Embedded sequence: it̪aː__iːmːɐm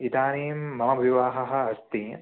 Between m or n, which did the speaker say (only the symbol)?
n